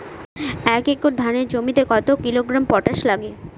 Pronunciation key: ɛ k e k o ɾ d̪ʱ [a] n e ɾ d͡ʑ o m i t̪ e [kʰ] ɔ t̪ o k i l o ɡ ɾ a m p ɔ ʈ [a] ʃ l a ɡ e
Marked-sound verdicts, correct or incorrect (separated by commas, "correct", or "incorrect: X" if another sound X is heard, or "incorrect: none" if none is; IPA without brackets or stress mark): correct, incorrect: k, correct